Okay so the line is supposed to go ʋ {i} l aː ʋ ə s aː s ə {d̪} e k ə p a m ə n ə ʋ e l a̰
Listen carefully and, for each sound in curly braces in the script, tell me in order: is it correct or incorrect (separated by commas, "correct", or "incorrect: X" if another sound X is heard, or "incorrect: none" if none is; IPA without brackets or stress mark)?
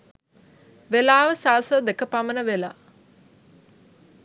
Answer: incorrect: e, correct